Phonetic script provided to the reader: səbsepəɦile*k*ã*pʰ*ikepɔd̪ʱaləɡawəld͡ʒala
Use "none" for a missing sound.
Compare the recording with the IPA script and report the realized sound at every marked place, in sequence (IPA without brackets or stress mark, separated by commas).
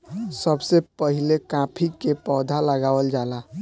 k, pʰ